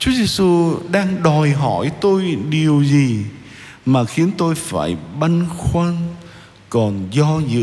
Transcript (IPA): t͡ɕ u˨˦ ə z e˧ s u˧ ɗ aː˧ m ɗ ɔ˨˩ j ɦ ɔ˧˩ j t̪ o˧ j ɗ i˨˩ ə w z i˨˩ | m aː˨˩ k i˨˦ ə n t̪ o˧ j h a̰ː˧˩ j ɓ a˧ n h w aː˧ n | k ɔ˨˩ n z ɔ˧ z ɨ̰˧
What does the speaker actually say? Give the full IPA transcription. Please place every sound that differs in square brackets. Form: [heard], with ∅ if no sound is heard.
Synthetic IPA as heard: t͡ɕ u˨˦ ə z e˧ s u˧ ɗ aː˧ [ŋ] ɗ ɔ˨˩ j ɦ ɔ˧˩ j t̪ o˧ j ɗ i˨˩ ə w z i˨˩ | m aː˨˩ [x] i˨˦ ə n t̪ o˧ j [f] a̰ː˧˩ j ɓ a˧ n [x] w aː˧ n | k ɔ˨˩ n z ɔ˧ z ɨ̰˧